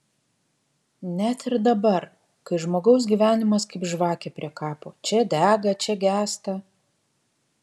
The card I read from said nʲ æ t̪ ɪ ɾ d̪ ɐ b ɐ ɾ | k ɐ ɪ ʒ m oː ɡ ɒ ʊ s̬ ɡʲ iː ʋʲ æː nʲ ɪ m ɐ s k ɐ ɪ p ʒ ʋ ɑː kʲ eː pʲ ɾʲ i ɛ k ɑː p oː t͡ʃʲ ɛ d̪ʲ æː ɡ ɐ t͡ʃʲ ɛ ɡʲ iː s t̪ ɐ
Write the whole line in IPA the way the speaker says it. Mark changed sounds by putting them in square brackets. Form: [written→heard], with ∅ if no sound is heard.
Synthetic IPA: nʲ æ t̪ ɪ ɾ d̪ ɐ b ɐ ɾ | k ɐ ɪ ʒ m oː ɡ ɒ ʊ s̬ ɡʲ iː ʋʲ æː nʲ ɪ m ɐ s k ɐ ɪ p ʒ ʋ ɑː kʲ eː pʲ ɾʲ i ɛ k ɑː p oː t͡ʃʲ ɛ d̪ʲ æː ɡ ɐ t͡ʃʲ ɛ ɡʲ [iː→æː] s t̪ ɐ